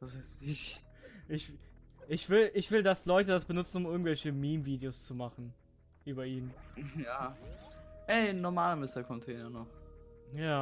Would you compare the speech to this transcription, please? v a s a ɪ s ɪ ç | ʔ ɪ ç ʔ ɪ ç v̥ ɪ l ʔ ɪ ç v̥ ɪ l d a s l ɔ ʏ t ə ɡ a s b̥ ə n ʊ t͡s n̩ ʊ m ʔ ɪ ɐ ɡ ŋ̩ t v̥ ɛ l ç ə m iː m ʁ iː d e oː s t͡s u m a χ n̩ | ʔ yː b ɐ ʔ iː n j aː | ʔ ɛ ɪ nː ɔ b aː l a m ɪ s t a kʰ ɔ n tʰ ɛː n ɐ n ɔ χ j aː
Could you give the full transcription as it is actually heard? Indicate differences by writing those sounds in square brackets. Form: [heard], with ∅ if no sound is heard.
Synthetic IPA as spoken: v a s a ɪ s ɪ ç | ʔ ɪ ç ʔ ɪ ç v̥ ɪ l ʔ ɪ ç v̥ ɪ l d a s l ɔ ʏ t ə [d] a s b̥ ə n ʊ t͡s n̩ ʊ m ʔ ɪ ɐ ɡ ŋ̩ t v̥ ɛ l ç ə m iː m [v] iː d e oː s t͡s u m a χ n̩ | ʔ yː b ɐ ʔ iː n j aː | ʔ ɛ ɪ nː ɔ [m] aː l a m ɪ s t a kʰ ɔ n tʰ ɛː n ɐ n ɔ χ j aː